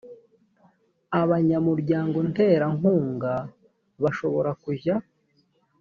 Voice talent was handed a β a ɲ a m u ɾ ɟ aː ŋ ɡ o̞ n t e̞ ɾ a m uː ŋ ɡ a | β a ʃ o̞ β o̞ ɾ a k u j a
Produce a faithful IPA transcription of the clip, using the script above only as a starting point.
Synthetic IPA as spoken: a β a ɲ a m u ɾ ɟ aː ŋ ɡ o̞ n t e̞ ɾ a ŋ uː ŋ ɡ a | β a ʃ o̞ β o̞ ɾ a k u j a